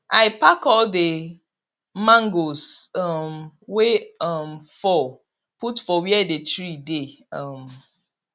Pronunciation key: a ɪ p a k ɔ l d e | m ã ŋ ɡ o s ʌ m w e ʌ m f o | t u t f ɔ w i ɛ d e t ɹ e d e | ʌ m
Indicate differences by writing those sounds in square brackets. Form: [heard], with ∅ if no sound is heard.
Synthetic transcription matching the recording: a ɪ p a k ɔ l d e | m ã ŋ ɡ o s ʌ m w e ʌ m f [ɔ] | [p] u t f ɔ w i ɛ d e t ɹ [i] d e | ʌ m